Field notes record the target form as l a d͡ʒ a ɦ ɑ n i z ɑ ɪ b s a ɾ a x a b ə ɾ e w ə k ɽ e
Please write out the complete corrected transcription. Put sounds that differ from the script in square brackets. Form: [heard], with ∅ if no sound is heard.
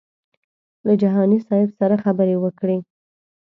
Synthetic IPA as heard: l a d͡ʒ a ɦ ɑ n i [s] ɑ ɪ b s a ɾ a x a b ə ɾ e w ə k ɽ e